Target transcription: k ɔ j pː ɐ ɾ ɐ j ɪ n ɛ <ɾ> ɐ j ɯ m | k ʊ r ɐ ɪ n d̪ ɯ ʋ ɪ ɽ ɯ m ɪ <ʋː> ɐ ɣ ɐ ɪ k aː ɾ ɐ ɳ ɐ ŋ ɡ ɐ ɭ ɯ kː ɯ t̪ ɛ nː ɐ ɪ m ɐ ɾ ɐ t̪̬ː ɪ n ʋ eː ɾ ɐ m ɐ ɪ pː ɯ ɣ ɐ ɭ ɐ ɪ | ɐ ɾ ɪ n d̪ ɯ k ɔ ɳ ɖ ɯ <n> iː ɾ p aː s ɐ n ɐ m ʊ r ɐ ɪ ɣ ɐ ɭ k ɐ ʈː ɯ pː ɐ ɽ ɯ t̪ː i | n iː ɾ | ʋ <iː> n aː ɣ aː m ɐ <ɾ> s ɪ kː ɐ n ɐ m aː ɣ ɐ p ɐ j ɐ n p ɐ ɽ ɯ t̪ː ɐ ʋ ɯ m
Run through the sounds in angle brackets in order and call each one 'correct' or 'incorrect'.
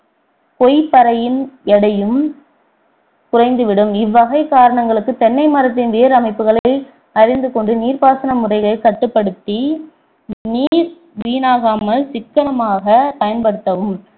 incorrect, correct, correct, correct, incorrect

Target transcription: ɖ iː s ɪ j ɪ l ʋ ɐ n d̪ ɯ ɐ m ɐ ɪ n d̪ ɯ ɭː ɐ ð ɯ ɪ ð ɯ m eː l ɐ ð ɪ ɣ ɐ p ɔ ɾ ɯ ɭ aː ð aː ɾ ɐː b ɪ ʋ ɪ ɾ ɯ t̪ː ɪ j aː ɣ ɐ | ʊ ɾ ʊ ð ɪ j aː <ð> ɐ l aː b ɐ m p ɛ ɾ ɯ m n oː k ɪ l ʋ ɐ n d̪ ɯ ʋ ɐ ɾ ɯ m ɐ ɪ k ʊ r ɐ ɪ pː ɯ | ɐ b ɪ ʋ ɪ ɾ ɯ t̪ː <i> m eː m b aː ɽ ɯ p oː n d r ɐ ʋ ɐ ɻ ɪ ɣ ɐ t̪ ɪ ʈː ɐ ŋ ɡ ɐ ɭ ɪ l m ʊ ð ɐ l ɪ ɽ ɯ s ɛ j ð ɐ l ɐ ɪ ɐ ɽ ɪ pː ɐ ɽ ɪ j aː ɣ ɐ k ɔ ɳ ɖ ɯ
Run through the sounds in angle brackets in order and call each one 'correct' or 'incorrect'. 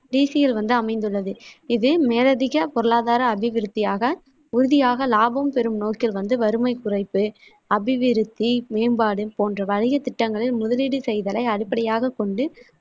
incorrect, correct

